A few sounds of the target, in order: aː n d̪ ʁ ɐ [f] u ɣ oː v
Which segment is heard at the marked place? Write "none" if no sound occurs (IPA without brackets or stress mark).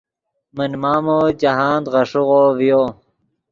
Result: ʂ